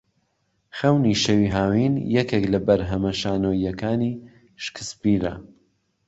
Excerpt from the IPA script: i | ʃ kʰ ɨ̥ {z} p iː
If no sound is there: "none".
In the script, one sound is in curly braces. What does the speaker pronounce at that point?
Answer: s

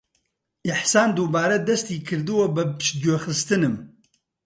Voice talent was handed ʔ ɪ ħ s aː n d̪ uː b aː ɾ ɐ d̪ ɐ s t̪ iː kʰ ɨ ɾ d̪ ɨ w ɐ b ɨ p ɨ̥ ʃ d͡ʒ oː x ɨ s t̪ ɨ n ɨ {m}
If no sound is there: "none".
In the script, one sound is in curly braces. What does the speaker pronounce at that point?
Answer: m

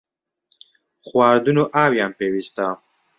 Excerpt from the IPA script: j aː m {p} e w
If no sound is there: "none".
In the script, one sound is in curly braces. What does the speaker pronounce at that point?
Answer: p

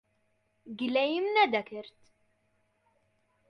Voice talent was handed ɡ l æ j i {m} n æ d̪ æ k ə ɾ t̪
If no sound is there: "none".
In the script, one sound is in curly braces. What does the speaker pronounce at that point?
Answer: m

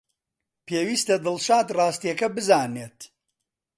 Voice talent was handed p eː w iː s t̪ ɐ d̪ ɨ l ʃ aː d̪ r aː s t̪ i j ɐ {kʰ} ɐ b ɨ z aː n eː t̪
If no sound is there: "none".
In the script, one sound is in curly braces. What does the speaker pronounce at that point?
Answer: k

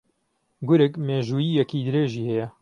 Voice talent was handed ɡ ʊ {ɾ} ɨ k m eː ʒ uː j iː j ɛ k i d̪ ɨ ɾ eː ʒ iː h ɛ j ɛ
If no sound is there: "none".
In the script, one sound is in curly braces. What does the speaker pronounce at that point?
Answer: ɾ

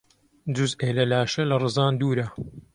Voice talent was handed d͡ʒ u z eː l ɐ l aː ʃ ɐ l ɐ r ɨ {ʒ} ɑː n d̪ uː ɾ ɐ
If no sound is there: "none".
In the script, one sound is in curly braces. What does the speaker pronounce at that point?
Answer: z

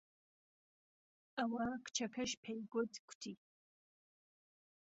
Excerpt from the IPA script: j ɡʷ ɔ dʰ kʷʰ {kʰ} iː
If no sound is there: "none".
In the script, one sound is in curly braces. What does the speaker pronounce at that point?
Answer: tʰ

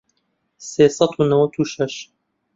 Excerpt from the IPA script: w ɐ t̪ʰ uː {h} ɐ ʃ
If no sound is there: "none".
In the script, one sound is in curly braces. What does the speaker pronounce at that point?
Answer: ʃ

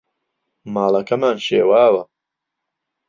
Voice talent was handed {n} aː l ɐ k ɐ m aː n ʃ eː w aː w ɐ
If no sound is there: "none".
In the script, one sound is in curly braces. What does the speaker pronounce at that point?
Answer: m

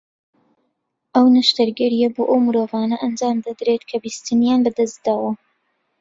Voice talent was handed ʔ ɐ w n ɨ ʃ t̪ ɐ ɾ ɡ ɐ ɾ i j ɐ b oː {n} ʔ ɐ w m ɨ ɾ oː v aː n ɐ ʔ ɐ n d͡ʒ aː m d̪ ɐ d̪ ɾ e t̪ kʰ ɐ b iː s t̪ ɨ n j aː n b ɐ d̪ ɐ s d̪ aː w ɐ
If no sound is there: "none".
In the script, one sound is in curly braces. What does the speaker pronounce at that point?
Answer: none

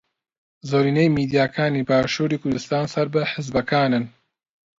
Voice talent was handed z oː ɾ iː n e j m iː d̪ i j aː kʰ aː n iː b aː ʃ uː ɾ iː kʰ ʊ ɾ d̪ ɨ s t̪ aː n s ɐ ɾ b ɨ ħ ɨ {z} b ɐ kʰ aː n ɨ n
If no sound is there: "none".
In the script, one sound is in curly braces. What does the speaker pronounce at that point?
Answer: z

